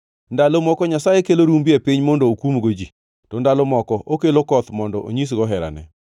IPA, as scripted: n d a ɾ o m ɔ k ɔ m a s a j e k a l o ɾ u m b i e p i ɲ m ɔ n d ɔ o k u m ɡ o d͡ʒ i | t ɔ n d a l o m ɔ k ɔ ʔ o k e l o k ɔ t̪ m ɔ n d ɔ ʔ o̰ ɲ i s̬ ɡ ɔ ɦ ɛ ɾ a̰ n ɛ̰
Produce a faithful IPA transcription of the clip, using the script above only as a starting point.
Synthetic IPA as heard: n d a l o m ɔ k ɔ ɲ a s a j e k e l o ɾ u m b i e p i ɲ m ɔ n d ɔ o k u m ɡ o d͡ʒ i | t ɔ n d a l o m ɔ k ɔ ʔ o k e l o k ɔ t̪ m ɔ n d ɔ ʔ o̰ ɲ i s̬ ɡ ɔ ɦ ɛ ɾ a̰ n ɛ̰